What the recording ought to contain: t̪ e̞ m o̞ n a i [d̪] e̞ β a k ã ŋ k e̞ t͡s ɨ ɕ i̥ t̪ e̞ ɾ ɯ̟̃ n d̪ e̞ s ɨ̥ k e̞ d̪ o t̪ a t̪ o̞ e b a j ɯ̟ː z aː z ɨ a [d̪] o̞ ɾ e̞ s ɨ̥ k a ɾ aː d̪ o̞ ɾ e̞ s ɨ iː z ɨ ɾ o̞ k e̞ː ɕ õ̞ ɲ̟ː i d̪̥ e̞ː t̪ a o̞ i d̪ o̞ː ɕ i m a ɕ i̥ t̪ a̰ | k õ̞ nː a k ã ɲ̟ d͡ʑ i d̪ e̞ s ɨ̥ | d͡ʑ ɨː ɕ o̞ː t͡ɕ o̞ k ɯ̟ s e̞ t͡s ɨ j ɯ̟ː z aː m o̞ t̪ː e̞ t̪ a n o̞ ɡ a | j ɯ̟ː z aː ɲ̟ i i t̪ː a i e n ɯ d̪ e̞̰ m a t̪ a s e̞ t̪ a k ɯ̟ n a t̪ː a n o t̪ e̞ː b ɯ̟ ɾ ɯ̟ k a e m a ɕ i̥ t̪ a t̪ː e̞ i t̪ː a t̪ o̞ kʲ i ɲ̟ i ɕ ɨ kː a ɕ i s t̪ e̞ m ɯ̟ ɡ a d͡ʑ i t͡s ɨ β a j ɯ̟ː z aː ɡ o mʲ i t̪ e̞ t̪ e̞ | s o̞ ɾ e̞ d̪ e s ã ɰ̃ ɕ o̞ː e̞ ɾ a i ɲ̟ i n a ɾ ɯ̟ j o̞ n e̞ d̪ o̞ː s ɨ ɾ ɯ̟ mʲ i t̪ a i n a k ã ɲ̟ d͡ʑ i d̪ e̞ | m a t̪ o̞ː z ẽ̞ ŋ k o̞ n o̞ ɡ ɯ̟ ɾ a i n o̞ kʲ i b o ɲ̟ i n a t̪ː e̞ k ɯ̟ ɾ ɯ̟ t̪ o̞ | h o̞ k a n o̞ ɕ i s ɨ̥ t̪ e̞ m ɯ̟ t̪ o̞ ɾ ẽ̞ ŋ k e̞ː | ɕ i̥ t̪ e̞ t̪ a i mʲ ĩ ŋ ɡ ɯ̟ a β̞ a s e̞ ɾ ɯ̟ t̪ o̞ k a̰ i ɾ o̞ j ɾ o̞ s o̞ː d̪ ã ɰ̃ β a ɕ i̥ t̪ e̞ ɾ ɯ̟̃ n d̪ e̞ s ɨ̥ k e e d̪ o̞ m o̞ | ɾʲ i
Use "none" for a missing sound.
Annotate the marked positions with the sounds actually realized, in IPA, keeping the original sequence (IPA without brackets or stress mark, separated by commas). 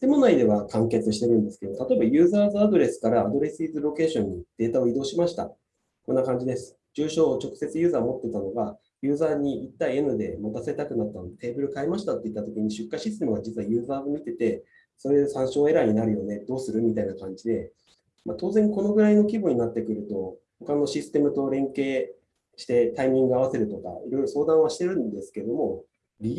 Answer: d̪, d̪